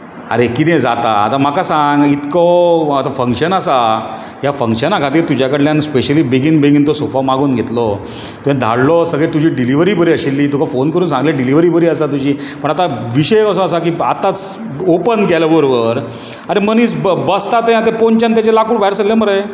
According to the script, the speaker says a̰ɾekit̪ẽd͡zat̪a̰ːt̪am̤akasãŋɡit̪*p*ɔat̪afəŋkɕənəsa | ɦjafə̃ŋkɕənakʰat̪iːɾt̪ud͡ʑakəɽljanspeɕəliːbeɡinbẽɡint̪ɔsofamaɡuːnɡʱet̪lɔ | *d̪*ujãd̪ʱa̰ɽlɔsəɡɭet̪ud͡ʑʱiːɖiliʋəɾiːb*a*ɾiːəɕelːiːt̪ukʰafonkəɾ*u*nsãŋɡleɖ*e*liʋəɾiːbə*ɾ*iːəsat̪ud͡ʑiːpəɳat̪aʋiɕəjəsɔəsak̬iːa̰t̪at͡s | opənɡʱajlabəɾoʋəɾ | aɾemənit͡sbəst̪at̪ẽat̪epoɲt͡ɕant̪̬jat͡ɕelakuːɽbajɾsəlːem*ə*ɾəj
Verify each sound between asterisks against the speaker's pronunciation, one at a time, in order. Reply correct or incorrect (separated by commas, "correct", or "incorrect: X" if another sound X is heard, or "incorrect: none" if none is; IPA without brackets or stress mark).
incorrect: k, incorrect: t̪, incorrect: ə, incorrect: uː, incorrect: i, correct, correct